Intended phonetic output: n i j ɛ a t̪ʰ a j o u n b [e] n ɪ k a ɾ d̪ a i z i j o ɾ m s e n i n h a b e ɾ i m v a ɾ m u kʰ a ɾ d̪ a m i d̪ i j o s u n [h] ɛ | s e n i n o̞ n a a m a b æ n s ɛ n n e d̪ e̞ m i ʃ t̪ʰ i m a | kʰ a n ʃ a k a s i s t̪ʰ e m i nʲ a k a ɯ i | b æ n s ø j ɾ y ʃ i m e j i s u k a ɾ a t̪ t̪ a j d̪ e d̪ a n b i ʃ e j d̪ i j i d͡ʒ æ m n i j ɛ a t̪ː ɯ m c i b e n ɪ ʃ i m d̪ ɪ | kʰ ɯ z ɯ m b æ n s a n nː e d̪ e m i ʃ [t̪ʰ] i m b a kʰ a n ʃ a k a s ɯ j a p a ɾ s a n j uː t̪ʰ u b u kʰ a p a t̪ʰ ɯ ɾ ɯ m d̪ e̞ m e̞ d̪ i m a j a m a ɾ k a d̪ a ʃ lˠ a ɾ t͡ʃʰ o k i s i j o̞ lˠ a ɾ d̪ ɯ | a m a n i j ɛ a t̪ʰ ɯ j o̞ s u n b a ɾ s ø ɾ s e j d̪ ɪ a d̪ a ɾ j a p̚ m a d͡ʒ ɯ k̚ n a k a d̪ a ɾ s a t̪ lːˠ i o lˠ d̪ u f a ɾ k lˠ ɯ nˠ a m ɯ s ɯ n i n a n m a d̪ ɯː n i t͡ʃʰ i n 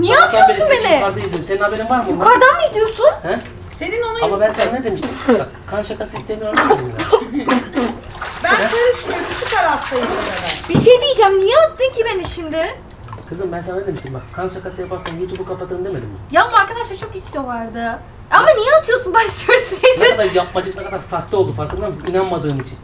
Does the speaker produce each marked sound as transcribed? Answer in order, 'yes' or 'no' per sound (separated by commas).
yes, yes, no